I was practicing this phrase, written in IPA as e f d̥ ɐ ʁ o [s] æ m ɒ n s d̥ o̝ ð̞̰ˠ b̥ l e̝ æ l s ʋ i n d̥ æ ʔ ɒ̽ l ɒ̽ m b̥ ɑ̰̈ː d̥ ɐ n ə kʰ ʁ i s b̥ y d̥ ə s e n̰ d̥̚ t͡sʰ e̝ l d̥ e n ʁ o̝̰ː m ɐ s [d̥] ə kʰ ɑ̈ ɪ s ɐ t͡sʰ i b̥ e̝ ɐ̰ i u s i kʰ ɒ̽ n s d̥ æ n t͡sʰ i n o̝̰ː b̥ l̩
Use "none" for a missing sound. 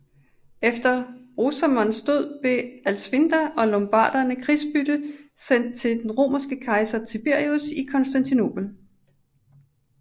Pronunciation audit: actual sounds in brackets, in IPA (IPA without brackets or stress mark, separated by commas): s, ɡ̥